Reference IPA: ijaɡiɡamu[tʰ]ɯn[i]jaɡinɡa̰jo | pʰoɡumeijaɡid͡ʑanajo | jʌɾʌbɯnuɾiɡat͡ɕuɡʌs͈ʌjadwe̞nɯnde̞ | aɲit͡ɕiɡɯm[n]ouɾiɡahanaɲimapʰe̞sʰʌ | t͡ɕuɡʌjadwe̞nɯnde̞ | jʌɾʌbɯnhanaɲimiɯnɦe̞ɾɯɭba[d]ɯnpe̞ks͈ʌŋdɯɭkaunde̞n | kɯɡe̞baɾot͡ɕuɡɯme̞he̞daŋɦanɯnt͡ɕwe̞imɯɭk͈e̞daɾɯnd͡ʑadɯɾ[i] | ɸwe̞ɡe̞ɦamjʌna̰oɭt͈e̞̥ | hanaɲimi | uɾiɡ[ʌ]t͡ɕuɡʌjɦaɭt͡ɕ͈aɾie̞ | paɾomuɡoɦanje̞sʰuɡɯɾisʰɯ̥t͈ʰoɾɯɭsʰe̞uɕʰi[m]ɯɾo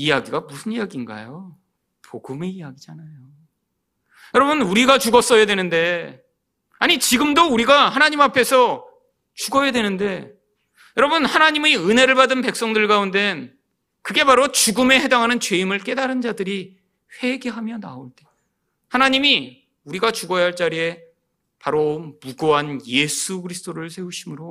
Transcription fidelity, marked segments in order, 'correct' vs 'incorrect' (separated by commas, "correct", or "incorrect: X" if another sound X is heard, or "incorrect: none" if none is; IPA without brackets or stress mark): incorrect: sʰ, correct, incorrect: d, correct, correct, incorrect: a, correct